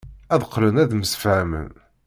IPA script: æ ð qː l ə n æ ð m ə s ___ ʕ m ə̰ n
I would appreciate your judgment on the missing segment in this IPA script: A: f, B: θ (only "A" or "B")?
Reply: A